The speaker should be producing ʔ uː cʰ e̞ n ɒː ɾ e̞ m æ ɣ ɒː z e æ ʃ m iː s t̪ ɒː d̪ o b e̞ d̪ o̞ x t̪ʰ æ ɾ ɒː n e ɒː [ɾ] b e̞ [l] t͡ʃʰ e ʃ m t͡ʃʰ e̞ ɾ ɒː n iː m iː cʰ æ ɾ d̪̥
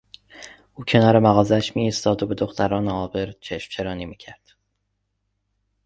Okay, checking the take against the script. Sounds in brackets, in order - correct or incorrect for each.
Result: incorrect: none, incorrect: ɾ

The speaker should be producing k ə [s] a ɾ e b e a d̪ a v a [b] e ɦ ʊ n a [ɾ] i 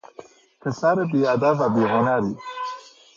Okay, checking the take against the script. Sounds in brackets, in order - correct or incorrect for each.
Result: correct, correct, correct

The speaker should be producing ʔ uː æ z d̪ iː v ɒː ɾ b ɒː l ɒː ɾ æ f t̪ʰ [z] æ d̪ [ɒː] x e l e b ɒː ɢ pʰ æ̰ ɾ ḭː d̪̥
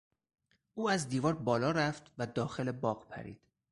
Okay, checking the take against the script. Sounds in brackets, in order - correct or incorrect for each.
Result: incorrect: v, correct

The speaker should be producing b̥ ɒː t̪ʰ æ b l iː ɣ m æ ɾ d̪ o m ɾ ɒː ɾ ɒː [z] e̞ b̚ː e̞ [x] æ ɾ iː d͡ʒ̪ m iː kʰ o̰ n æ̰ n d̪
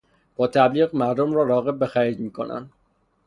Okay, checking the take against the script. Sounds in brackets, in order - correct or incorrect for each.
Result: incorrect: ɣ, correct

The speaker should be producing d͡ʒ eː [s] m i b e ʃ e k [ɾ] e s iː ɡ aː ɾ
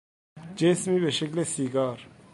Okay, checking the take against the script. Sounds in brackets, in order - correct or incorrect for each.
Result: correct, incorrect: l

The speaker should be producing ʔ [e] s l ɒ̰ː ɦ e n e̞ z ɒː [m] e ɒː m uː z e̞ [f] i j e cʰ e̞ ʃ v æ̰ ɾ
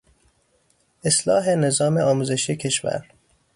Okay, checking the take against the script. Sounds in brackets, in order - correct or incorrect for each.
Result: correct, correct, incorrect: ʃ

